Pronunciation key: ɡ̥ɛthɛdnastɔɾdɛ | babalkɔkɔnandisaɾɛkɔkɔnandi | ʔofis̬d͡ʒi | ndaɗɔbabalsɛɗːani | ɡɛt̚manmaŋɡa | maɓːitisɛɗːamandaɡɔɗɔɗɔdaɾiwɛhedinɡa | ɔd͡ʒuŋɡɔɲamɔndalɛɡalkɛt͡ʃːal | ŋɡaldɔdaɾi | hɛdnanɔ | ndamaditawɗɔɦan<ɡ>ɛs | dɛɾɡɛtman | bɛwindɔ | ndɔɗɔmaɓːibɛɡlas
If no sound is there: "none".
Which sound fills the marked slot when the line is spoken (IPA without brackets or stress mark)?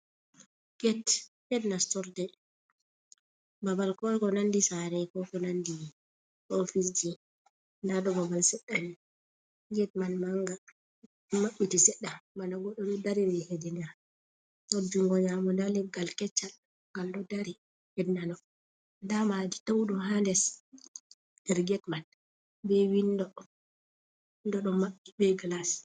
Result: d